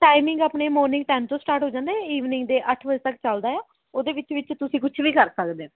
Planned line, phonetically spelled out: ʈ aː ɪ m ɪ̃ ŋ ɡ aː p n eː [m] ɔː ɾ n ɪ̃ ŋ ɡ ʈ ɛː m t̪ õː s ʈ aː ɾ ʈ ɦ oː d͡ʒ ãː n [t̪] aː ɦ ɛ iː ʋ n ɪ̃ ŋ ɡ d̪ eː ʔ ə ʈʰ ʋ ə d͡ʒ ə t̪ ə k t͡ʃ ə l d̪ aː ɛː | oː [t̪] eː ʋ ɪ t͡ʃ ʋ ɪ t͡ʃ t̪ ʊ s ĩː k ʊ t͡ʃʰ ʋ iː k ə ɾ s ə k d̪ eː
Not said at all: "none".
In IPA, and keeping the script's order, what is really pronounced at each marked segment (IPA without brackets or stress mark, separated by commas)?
m, d̪, d̪